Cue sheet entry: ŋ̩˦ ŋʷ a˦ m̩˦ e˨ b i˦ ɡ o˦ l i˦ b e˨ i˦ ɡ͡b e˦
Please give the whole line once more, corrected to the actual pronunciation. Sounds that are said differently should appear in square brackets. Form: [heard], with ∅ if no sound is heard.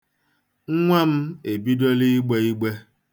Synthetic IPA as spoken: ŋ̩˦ ŋʷ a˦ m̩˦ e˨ b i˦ [d] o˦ l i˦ [ɡ͡b] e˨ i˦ ɡ͡b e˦